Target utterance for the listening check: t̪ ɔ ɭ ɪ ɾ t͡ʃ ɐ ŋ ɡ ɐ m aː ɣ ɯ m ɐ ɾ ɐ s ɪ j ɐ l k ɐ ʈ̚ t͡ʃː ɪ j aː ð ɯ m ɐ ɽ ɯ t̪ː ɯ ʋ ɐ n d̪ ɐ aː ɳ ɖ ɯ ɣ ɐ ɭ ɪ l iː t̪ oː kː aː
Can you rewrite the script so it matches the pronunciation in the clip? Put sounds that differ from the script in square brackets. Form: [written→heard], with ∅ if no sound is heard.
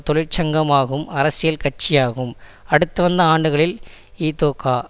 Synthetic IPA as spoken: t̪ ɔ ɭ ɪ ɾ t͡ʃ ɐ ŋ ɡ ɐ m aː ɣ ɯ m ɐ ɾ ɐ s ɪ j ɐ l k ɐ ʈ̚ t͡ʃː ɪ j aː [ð→ɣ] ɯ m ɐ ɽ ɯ t̪ː ɯ ʋ ɐ n d̪ ɐ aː ɳ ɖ ɯ ɣ ɐ ɭ ɪ l iː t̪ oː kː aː

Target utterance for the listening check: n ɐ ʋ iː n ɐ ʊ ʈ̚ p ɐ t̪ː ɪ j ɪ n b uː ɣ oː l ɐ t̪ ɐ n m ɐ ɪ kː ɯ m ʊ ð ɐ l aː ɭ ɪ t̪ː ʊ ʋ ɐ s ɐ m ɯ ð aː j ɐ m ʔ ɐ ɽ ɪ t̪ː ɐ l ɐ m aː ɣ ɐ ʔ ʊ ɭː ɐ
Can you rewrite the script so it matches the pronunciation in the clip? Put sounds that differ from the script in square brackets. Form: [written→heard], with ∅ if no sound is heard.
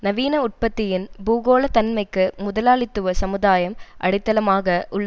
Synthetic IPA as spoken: n ɐ ʋ iː n ɐ ʊ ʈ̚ p ɐ t̪ː ɪ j ɪ n b uː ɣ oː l ɐ t̪ ɐ n m ɐ ɪ kː ɯ m ʊ ð ɐ l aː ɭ ɪ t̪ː [ʊ→ɯ] ʋ ɐ s ɐ m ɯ ð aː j ɐ m ʔ ɐ ɽ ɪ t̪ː ɐ l ɐ m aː ɣ ɐ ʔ ʊ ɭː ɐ

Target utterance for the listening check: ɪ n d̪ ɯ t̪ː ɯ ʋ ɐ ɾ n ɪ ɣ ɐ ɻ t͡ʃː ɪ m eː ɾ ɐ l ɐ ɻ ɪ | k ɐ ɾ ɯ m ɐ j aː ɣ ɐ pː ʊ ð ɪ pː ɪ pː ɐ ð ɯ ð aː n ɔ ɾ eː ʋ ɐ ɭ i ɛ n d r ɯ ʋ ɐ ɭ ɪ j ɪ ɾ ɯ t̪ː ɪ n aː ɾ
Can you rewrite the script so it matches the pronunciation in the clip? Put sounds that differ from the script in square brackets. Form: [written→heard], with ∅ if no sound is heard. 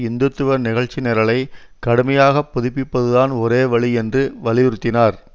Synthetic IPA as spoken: ɪ n d̪ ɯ t̪ː ɯ ʋ ɐ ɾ n ɪ ɣ ɐ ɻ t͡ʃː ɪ [m→n] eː ɾ ɐ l ɐ [ɻ→∅] ɪ | k ɐ [ɾ→ɽ] ɯ m ɐ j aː ɣ ɐ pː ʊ ð ɪ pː ɪ pː ɐ ð ɯ ð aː n ɔ ɾ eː ʋ ɐ ɭ i ɛ n d r ɯ ʋ ɐ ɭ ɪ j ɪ ɾ ɯ t̪ː ɪ n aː ɾ

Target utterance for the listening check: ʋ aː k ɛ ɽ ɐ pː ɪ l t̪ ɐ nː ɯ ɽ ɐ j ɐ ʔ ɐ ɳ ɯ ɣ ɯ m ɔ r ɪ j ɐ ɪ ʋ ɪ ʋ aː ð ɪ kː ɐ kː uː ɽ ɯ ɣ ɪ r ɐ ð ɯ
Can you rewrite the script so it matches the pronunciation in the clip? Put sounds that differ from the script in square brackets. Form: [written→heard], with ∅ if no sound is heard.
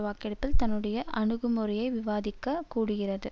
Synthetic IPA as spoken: ʋ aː k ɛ ɽ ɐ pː ɪ l t̪ ɐ nː ɯ ɽ ɐ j ɐ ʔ ɐ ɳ ɯ ɣ ɯ m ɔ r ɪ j ɐ ɪ ʋ ɪ ʋ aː ð ɪ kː ɐ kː uː ɽ ɯ ɣ ɪ r ɐ ð ɯ

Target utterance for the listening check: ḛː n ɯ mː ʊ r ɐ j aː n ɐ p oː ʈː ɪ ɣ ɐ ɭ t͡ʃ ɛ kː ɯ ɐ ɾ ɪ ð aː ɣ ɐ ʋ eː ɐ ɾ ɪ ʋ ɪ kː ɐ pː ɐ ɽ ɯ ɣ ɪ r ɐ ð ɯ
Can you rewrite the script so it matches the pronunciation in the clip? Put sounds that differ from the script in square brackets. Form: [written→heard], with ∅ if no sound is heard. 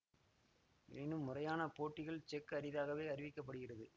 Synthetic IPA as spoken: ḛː n ɯ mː ʊ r ɐ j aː n ɐ p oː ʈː ɪ ɣ ɐ ɭ t͡ʃ ɛ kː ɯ ɐ ɾ ɪ ð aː ɣ ɐ ʋ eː ɐ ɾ ɪ ʋ ɪ kː ɐ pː ɐ ɽ ɯ ɣ ɪ r ɐ ð ɯ

